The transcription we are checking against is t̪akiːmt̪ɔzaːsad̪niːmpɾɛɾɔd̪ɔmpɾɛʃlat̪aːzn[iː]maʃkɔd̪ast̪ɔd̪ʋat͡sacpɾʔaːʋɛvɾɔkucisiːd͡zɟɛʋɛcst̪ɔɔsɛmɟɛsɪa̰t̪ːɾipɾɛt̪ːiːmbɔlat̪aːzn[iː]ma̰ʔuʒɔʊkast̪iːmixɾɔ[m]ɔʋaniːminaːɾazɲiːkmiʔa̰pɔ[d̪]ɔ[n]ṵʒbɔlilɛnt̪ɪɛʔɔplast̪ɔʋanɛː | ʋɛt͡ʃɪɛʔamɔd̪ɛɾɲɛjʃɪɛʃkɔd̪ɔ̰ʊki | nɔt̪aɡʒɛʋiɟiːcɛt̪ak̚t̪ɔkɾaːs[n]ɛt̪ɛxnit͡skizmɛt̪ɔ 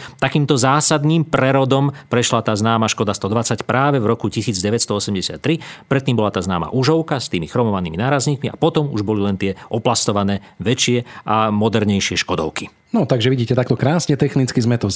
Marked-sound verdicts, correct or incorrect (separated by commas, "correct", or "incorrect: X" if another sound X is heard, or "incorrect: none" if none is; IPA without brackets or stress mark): incorrect: aː, incorrect: aː, correct, incorrect: t̪, incorrect: m, incorrect: ɲ